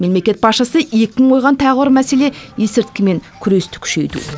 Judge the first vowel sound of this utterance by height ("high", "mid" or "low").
mid